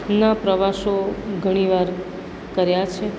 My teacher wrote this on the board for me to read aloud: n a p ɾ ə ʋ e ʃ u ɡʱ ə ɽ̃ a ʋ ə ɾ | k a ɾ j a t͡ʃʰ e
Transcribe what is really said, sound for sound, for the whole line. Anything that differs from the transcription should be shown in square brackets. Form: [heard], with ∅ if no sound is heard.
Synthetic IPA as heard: n a p ɾ ə ʋ [a] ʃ [o] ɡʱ ə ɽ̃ [i] ʋ [a] ɾ | k [ə] ɾ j a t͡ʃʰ e